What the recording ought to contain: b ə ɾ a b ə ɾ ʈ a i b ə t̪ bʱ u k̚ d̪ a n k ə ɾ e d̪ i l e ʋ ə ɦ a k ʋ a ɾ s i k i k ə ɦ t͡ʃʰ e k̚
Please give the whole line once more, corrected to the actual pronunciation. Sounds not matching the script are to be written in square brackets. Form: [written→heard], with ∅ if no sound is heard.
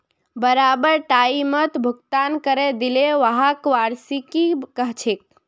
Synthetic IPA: b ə ɾ a b ə ɾ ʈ a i [b→m] ə t̪ bʱ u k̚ [d̪→t̪] a n k ə ɾ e d̪ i l e ʋ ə ɦ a k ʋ a ɾ s i k i k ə ɦ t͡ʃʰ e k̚